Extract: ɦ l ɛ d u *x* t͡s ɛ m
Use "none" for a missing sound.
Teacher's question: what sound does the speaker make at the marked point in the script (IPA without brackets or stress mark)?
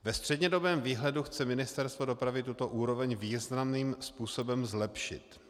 x